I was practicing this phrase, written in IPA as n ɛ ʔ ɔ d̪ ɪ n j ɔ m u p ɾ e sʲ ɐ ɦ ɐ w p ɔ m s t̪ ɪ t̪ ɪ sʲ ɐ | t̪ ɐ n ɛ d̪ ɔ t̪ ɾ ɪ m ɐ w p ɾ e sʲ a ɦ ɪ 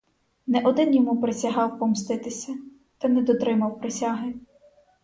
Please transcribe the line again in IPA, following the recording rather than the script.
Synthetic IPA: n ɛ ʔ ɔ d̪ ɪ n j ɔ m u p ɾ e sʲ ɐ ɦ ɑ w p ɔ m s t̪ ɪ t̪ ɪ sʲ ɐ | t̪ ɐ n ɛ d̪ ɔ t̪ ɾ ɪ m ɐ w p ɾ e sʲ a ɦ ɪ

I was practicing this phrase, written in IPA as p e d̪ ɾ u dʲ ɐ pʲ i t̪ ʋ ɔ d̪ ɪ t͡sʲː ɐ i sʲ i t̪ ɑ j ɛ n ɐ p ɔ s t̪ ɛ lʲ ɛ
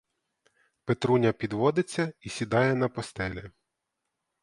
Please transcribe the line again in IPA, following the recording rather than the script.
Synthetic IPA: p e t̪ ɾ u nʲ ɐ pʲ i d̪ ʋ ɔ d̪ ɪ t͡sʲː ɐ i sʲ i d̪ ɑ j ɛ n ɐ p ɔ s t̪ ɛ lʲ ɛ

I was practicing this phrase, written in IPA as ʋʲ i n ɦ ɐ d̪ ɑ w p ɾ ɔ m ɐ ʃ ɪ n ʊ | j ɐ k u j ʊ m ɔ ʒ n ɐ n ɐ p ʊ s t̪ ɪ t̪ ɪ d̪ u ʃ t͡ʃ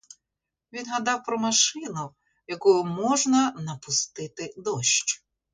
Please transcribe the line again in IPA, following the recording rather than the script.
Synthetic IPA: ʋʲ i n ɦ ɐ d̪ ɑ w p ɾ ɔ m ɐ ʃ ɪ n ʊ | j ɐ k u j ʊ m ɔ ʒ n ɐ n ɐ p ʊ s t̪ ɪ t̪ ɪ d̪ ɔ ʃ t͡ʃ

